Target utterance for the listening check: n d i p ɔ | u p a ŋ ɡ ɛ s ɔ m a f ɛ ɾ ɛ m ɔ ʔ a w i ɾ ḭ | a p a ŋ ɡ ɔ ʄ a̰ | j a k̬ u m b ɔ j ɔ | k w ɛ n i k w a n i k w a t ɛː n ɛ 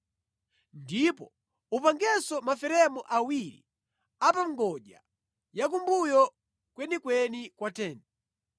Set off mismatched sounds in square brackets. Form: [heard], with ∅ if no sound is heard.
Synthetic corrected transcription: n d i p ɔ | u p a ŋ ɡ ɛ s ɔ m a f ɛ ɾ ɛ m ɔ ʔ a w i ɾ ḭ | a p a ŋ ɡ ɔ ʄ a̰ | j a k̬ u m b [u] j ɔ | k w ɛ n i k w [ɛ] n i k w a t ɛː n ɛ